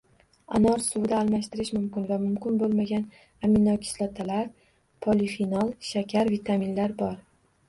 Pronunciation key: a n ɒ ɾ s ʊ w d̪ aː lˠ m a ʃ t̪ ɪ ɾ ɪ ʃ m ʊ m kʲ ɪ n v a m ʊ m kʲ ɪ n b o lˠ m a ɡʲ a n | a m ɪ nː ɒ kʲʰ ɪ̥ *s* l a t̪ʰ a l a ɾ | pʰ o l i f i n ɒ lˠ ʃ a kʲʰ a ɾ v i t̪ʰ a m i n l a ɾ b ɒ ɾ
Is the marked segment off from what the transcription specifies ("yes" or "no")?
no